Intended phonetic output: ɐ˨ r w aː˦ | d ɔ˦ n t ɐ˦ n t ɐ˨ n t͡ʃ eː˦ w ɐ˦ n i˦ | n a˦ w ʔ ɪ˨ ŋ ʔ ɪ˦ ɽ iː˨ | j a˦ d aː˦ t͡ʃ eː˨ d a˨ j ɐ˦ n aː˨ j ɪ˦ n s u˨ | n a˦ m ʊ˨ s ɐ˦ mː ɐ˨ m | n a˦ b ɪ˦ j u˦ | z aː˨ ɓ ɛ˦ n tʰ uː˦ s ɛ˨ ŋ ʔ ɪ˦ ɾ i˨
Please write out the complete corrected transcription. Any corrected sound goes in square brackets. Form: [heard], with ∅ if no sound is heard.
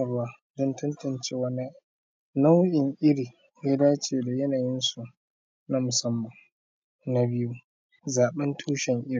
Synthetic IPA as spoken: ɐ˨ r w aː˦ | d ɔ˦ n t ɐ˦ n t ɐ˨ n t͡ʃ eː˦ w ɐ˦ n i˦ | n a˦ w ʔ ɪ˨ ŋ ʔ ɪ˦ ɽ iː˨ | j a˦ d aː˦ t͡ʃ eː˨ d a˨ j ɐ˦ n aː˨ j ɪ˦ n s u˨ | n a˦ m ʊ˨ s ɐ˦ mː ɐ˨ [ŋ] | n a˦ b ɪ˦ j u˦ | z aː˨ ɓ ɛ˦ n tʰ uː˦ [ʃ] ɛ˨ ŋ ʔ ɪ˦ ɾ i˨